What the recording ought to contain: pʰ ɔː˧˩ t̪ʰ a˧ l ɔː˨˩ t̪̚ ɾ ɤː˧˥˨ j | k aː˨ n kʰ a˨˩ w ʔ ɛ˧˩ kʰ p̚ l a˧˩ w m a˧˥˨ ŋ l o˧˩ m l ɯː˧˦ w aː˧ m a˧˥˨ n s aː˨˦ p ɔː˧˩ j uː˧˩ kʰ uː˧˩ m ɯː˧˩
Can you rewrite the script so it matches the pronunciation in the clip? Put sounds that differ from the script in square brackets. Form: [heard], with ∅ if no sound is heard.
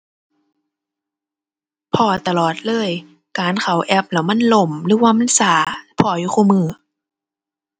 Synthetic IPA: pʰ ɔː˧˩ [t̪] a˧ l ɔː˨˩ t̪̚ [l] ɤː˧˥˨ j | k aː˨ n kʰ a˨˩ w ʔ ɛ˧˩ [∅] p̚ l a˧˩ w m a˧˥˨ [n] l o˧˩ m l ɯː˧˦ w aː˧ m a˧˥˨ n s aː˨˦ [pʰ] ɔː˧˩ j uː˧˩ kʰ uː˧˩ m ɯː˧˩